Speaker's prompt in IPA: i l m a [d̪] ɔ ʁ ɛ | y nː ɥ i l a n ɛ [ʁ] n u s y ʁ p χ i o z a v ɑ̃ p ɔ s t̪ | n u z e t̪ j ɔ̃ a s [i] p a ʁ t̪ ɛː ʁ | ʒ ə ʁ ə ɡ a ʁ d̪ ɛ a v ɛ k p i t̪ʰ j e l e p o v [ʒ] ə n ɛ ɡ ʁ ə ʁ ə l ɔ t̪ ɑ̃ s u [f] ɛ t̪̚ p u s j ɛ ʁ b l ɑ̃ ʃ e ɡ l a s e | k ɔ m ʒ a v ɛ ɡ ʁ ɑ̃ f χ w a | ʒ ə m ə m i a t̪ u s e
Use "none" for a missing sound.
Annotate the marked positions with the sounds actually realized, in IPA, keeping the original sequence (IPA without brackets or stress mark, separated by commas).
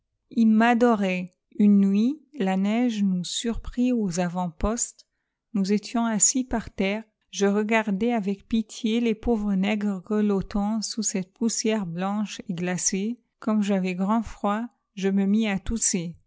d̪, ʒ, i, ʁ, s